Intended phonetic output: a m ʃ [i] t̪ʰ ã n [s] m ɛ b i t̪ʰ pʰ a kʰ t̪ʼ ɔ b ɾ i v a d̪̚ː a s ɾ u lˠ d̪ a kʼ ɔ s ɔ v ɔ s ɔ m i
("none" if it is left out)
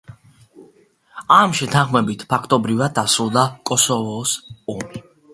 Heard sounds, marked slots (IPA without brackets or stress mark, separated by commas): ɛ, χ